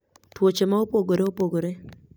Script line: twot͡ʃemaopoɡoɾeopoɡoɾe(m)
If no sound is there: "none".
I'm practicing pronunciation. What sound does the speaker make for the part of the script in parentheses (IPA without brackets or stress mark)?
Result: none